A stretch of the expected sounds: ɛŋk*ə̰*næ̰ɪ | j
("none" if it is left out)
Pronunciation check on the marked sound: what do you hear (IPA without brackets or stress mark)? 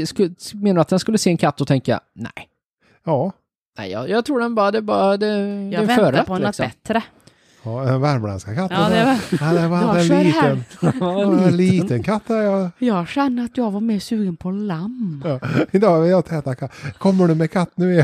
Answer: a̰